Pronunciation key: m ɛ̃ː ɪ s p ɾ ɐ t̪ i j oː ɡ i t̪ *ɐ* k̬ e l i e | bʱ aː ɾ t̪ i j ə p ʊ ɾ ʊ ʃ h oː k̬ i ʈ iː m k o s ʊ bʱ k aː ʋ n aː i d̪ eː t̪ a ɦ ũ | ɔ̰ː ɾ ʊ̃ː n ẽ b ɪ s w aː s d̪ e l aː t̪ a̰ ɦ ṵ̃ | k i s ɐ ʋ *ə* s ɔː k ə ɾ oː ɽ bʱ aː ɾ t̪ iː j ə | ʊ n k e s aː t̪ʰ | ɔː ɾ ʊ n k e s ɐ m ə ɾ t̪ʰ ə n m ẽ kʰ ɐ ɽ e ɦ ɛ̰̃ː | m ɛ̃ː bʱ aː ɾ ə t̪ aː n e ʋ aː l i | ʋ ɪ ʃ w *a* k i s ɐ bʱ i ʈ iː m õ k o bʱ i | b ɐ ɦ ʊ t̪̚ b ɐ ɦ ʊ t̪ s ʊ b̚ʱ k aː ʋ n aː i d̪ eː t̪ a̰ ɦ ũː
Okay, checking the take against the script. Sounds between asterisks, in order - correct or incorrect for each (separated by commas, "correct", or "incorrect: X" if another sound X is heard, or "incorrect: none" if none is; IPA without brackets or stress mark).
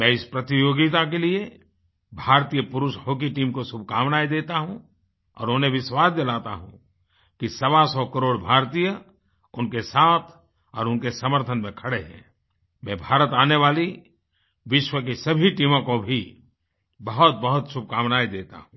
incorrect: a, incorrect: a, incorrect: ə